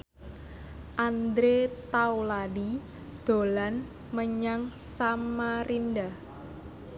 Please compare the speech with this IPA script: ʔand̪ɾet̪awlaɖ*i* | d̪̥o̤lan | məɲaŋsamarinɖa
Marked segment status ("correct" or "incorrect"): correct